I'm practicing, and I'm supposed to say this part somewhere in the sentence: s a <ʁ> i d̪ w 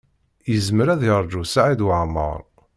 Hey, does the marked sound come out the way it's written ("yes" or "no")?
no